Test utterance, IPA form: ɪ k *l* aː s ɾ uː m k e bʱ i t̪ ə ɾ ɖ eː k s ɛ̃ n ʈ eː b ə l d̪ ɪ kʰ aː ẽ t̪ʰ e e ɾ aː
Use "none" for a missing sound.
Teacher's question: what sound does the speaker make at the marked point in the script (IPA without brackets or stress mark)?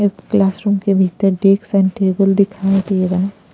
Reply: l